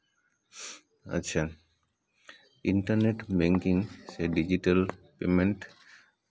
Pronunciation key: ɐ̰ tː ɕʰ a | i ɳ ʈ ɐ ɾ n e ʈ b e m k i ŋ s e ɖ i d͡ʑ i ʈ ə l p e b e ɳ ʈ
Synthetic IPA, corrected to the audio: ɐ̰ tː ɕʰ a | i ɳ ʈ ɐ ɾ n e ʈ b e ŋ k i ŋ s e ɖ i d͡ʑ i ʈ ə l p e m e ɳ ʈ